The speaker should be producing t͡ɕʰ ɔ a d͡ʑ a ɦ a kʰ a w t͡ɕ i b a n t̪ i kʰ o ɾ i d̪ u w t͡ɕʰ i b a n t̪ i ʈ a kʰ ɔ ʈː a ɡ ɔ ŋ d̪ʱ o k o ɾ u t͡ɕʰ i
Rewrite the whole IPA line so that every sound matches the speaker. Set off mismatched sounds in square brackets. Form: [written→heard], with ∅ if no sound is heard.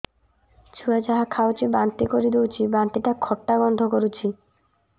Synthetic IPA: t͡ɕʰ [ɔ→u] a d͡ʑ a ɦ a kʰ a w t͡ɕ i b a n t̪ i [kʰ→k] o ɾ i d̪ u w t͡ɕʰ i b a n t̪ i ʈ a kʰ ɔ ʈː a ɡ ɔ [ŋ→n] d̪ʱ o k o ɾ u t͡ɕʰ i